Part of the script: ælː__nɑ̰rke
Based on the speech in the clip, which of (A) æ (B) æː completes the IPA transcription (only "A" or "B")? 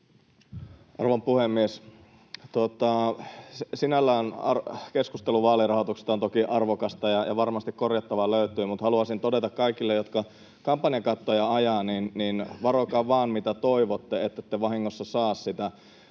B